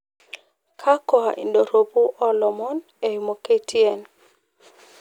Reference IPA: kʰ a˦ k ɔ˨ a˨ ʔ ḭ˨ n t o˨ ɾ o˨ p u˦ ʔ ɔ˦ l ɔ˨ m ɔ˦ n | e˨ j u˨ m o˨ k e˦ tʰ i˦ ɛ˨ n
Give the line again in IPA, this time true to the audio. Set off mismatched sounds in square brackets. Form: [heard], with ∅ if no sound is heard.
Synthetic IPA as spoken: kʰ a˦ k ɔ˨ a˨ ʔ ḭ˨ n [d] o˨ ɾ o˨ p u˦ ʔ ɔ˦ l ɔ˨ m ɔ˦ n | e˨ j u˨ m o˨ k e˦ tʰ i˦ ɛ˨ n